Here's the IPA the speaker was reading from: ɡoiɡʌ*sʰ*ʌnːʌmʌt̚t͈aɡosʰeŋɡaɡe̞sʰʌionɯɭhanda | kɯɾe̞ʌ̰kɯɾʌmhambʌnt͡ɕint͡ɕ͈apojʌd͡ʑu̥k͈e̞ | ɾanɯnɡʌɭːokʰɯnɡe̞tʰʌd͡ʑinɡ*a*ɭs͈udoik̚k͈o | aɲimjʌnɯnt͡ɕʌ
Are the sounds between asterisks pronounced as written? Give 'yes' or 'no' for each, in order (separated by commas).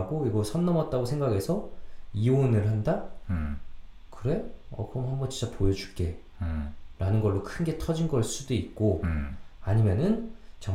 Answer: yes, no